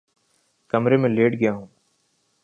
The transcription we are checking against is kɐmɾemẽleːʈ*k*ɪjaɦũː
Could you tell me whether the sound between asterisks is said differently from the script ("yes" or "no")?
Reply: yes